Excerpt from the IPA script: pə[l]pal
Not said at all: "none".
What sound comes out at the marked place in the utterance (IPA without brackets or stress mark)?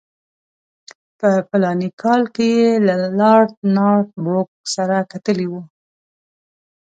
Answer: none